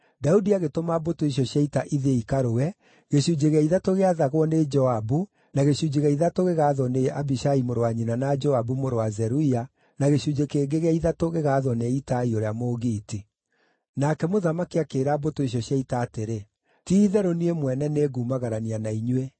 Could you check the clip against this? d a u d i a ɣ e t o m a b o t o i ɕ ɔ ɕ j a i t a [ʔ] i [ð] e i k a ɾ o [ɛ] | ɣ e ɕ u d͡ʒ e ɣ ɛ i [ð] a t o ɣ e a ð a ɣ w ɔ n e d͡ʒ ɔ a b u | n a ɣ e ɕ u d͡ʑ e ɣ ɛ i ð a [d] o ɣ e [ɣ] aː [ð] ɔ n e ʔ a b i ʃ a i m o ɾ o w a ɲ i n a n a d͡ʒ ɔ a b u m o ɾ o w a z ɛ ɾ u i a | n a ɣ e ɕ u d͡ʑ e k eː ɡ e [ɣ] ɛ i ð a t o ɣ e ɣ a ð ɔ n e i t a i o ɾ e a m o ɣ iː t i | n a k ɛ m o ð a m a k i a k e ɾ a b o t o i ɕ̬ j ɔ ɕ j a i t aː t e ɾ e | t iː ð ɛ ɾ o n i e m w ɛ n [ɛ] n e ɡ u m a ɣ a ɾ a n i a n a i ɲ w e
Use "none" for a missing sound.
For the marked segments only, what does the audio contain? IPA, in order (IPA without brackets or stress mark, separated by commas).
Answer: ʔ, ð, ɛ, ð, t, ɣ, ð, ɣ, ɛ